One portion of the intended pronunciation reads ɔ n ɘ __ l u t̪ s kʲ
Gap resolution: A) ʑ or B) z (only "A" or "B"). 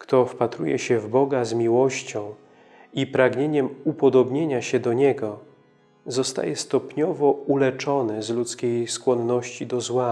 B